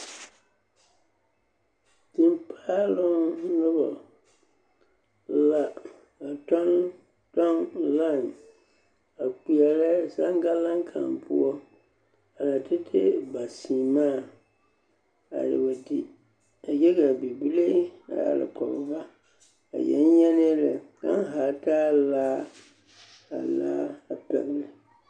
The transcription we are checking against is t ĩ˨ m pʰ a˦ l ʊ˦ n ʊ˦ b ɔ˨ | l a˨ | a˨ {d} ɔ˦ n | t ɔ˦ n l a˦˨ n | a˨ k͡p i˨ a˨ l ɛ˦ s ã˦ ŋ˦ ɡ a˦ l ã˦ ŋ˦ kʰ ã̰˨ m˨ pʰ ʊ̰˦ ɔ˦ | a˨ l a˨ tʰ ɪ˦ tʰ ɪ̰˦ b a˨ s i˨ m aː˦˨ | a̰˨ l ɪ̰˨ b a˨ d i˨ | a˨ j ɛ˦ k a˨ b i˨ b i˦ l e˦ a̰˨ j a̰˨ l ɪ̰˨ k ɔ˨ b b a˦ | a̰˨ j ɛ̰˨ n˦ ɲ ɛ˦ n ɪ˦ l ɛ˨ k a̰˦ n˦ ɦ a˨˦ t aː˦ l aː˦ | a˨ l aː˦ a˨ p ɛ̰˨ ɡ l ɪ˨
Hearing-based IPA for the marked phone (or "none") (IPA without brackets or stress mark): t